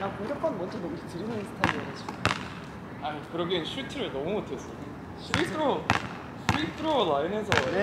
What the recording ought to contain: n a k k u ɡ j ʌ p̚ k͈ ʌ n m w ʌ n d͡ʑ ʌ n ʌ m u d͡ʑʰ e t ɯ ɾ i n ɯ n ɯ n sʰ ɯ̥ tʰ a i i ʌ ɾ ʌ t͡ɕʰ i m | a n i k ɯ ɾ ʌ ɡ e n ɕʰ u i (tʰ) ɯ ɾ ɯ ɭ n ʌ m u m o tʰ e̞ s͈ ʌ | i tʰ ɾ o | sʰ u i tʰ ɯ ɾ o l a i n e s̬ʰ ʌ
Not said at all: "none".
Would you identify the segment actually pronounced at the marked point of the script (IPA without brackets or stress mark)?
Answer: tʰ